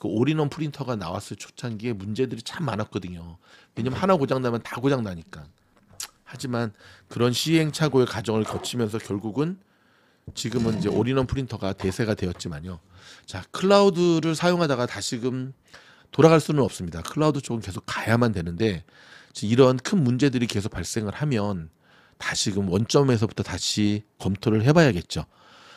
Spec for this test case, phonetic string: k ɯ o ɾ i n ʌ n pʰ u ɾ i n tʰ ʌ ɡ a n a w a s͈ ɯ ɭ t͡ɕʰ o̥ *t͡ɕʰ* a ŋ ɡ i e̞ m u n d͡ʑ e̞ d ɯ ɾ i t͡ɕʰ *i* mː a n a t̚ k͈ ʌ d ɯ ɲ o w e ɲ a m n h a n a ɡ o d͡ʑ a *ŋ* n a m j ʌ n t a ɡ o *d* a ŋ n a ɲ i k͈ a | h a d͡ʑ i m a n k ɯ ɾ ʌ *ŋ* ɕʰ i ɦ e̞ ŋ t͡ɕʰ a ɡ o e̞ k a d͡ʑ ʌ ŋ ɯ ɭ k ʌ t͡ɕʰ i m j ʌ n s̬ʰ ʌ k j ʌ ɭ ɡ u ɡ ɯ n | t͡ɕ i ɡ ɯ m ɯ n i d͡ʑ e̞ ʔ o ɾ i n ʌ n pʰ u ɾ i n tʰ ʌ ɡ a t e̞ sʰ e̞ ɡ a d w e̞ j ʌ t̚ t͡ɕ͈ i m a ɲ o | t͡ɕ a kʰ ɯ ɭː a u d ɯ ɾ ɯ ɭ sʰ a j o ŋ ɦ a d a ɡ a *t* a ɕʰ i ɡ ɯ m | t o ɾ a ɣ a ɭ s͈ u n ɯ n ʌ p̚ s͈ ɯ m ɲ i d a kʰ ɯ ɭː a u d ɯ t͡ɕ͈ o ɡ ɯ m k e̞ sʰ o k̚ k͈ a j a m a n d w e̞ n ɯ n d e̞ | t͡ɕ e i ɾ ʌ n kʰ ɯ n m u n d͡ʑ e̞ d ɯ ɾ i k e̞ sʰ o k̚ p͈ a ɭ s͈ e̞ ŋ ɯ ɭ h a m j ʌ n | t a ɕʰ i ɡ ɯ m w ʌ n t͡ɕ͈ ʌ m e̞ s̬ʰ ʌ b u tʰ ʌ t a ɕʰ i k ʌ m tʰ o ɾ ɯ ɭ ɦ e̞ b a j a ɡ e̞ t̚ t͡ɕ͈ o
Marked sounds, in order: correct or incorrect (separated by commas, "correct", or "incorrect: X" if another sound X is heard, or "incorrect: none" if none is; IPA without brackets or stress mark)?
correct, incorrect: a, correct, incorrect: d͡ʑ, incorrect: n, correct